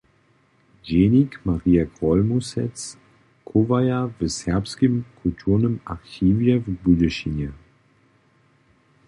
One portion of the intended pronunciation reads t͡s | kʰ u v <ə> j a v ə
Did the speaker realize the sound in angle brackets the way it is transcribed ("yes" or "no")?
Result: no